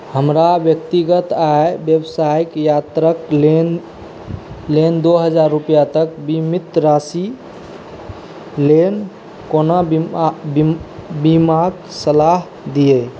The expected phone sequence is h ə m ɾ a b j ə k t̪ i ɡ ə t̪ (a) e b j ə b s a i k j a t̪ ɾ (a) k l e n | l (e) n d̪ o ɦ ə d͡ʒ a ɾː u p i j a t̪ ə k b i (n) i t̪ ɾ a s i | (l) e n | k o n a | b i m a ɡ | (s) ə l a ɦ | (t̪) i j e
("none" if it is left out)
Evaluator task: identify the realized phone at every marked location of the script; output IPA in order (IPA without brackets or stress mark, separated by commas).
a, ə, e, m, l, s, d̪